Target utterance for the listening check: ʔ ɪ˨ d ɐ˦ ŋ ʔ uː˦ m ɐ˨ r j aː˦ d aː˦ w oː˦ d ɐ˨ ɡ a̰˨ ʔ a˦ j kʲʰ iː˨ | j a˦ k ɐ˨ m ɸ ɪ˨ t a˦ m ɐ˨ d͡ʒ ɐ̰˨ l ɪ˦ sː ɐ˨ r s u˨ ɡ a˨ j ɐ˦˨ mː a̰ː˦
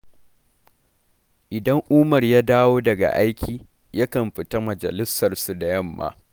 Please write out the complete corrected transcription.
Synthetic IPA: ʔ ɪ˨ d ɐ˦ ŋ ʔ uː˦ m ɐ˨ r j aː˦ d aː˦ w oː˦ d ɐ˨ ɡ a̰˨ ʔ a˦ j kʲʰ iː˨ | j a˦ k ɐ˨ m ɸ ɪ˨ t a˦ m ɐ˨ d͡ʒ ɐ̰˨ l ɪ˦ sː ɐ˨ r s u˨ d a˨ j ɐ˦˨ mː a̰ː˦

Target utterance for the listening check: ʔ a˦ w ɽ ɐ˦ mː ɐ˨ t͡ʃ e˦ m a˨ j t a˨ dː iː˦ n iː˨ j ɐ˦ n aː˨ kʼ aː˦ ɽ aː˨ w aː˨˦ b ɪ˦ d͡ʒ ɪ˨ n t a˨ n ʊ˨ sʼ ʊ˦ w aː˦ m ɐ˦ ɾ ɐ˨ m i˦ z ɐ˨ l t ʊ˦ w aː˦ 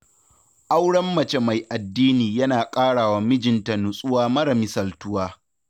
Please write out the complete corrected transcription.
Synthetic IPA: ʔ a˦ w ɽ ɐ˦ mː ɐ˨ t͡ʃ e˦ m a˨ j ʔ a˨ dː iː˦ n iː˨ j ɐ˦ n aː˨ kʼ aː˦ ɽ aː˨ w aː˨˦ m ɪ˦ d͡ʒ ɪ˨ n t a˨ n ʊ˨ sʼ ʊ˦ w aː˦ m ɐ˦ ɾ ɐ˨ m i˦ s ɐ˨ l t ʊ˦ w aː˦

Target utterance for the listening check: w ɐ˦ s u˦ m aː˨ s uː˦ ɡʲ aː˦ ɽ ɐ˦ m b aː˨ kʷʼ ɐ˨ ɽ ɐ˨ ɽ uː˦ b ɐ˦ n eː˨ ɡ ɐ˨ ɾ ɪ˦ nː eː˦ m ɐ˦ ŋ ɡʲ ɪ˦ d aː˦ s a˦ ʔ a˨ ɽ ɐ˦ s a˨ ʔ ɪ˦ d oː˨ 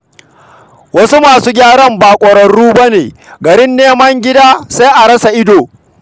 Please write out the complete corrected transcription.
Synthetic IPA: w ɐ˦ s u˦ m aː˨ s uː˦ ɡʲ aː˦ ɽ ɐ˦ m b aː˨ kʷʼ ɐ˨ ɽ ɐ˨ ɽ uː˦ b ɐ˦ n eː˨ ɡ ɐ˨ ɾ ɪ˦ nː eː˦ m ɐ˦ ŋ ɡʲ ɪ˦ d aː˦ s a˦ ʔ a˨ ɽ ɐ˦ s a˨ ʔ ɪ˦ d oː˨

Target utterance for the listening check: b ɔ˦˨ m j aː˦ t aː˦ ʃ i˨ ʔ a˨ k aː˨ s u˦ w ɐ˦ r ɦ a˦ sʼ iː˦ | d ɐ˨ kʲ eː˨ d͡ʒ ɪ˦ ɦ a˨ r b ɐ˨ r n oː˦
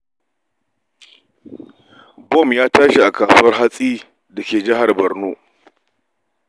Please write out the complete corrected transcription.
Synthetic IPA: b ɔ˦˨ m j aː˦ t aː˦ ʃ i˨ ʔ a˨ k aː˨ s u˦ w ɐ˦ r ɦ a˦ sʼ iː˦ | d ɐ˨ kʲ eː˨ d͡ʒ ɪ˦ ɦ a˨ r b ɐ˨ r n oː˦

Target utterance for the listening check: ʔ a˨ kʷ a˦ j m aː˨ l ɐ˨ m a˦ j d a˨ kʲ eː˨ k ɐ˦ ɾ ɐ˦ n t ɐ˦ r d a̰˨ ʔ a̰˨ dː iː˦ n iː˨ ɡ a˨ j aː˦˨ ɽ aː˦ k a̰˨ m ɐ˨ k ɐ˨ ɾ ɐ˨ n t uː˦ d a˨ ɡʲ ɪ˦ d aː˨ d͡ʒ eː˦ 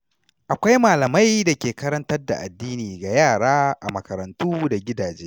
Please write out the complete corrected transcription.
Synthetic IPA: ʔ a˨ kʷ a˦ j m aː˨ l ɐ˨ m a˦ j d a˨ kʲ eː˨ k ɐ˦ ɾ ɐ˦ n t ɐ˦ r d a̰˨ ʔ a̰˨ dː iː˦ n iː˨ ɡ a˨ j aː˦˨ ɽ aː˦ ʔ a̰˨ m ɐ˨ k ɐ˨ ɾ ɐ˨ n t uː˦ d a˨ ɡʲ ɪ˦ d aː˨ d͡ʒ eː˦

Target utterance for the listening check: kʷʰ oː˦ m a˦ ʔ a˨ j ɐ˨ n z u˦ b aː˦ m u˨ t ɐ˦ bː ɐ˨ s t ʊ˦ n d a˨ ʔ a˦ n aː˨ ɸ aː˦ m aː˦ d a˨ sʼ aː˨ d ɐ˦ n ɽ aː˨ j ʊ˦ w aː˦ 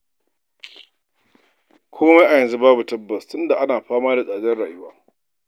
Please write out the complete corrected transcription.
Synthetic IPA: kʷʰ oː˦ m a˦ ʔ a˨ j ɐ˨ n z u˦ b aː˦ b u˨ t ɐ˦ bː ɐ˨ s t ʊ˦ n d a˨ ʔ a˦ n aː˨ ɸ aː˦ m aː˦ d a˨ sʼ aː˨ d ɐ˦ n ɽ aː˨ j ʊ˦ w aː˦

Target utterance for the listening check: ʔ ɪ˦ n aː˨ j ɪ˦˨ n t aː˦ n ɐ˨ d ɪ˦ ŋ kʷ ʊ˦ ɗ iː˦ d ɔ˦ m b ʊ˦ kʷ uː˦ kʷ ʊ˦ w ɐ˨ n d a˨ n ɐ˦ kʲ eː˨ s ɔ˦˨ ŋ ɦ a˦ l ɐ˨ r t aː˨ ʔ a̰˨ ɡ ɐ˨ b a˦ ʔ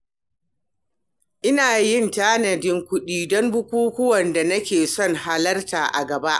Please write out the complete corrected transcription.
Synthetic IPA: ʔ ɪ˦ n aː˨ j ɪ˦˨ n t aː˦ n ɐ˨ d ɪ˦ ŋ kʷ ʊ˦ ɗ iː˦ d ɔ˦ m b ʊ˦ kʷ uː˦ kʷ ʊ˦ w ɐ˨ n d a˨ n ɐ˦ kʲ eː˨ s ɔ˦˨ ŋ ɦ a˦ l ɐ˦ r t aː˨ ʔ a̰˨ ɡ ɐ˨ b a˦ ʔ

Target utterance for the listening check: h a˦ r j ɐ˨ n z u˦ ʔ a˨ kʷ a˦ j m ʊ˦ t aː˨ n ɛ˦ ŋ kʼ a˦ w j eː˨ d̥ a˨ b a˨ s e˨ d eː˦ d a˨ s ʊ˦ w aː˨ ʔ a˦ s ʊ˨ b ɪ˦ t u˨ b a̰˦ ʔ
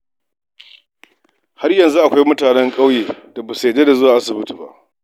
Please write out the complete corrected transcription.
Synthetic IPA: h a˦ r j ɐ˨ n z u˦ ʔ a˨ kʷ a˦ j m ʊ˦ t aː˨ n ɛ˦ ŋ kʼ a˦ w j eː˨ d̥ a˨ b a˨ s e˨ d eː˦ d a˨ z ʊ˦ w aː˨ ʔ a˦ s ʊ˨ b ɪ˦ t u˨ b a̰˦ ʔ

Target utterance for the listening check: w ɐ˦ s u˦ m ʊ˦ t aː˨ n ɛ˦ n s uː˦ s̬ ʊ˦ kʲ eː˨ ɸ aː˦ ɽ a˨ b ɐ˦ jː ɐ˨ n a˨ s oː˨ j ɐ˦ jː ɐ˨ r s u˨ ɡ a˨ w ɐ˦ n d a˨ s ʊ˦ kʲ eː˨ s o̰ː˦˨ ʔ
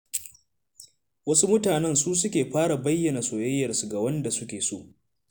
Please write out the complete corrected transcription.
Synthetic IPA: w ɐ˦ s u˦ m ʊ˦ t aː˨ n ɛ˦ n s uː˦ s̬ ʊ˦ kʲ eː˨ ɸ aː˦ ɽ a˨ b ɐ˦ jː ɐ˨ n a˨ s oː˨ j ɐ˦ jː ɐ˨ r s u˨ ɡ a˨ w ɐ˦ n d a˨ s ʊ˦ kʲ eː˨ s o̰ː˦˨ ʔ

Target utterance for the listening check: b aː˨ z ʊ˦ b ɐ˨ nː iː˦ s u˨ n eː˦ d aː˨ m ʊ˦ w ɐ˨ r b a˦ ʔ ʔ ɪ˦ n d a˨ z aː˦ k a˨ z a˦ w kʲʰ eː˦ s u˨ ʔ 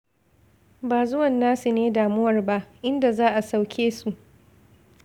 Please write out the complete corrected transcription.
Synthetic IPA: b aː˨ z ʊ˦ w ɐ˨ nː aː˦ s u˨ n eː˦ d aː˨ m ʊ˦ w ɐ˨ r b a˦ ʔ ʔ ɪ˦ n d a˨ z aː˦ ʔ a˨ s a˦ w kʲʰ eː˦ s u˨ ʔ

